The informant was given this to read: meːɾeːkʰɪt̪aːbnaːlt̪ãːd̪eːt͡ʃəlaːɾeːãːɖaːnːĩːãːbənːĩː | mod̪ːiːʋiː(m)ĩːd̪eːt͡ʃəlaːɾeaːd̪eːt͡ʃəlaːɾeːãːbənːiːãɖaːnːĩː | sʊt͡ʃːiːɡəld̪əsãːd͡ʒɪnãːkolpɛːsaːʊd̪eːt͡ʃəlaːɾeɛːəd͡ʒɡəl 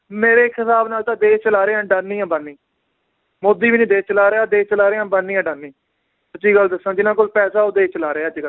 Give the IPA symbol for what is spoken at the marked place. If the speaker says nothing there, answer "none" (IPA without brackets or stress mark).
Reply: n